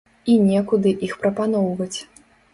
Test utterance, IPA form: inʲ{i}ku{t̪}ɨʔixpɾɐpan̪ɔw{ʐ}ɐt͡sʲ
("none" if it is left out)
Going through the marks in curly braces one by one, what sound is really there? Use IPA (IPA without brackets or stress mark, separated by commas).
ɛ, d̪, v